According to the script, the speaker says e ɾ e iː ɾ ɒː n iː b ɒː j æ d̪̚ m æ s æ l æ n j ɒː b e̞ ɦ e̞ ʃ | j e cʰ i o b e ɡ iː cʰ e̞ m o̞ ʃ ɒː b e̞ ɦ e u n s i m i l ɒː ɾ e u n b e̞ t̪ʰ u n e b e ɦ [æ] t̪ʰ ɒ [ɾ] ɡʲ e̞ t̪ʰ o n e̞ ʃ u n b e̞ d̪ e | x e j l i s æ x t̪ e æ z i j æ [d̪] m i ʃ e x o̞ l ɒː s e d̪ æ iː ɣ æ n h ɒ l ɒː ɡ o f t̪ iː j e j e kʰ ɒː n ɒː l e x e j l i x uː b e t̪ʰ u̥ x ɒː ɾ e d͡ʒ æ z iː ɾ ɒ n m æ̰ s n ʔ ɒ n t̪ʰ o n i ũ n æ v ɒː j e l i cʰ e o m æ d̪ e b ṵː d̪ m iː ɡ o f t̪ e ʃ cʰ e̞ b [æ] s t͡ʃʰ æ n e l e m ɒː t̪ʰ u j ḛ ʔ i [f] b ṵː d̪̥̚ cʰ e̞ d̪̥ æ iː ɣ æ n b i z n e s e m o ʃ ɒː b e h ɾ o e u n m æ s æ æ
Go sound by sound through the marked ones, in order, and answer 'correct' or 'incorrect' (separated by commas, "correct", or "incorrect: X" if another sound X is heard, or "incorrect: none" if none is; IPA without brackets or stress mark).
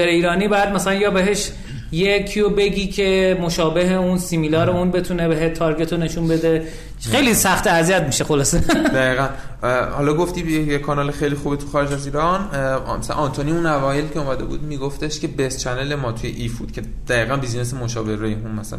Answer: incorrect: e, correct, incorrect: t̪, incorrect: e, correct